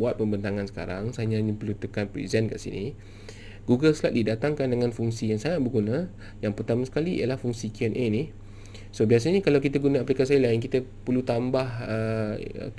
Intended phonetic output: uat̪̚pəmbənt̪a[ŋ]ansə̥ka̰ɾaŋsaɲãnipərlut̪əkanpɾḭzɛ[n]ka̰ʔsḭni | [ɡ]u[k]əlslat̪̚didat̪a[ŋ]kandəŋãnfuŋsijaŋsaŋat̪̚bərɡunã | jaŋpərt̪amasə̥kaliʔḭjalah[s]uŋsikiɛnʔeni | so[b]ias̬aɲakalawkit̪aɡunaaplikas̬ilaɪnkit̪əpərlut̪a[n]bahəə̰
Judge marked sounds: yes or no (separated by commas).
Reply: yes, yes, yes, no, yes, no, yes, no